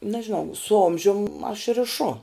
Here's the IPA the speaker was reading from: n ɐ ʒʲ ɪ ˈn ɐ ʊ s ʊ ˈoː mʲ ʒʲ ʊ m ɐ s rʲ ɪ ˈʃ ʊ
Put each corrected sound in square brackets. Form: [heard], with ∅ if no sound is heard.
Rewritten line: n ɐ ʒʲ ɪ ˈn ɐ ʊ s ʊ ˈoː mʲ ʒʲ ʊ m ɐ [ʃ] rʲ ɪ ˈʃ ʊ